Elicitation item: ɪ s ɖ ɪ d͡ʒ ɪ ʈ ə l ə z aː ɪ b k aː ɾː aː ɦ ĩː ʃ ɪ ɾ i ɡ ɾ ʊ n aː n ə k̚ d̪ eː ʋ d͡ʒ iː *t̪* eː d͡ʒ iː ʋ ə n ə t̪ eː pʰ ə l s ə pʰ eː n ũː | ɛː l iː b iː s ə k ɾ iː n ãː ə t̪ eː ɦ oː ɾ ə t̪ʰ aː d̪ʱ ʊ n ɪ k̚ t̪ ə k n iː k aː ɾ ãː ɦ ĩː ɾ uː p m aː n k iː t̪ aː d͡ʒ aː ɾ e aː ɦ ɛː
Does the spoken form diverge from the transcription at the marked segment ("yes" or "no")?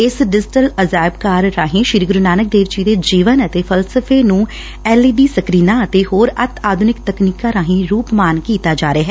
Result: yes